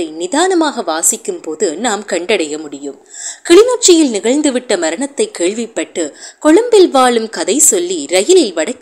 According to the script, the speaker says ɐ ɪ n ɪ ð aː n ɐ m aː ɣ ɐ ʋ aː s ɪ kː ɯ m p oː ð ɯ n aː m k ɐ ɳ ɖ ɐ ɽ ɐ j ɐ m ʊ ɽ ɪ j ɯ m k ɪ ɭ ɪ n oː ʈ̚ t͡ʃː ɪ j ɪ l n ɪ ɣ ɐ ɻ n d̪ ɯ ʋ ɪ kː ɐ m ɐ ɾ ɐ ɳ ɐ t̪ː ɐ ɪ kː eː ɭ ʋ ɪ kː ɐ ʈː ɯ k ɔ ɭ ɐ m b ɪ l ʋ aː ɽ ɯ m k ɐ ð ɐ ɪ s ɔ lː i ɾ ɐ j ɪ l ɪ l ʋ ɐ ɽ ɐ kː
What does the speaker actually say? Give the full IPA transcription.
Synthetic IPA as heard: ɐ ɪ n ɪ ð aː n ɐ m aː ɣ ɐ ʋ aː s ɪ kː ɯ m p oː ð ɯ n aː m k ɐ ɳ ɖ ɐ ɽ ɐ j ɐ m ʊ ɽ ɪ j ɯ m k ɪ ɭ ɪ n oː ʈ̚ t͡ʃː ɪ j ɪ l n ɪ ɣ ɐ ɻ n d̪ ɯ ʋ ɪ ʈː ɐ m ɐ ɾ ɐ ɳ ɐ t̪ː ɐ ɪ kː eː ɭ ʋ ɪ pː ɐ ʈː ɯ k ɔ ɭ ɐ m b ɪ l ʋ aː ɭ ɯ m k ɐ ð ɐ ɪ s ɔ lː i ɾ ɐ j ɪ l ɪ l ʋ ɐ ɽ ɐ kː